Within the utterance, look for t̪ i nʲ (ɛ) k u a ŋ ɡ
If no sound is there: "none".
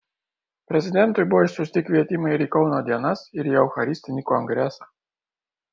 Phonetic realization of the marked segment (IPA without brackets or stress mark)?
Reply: i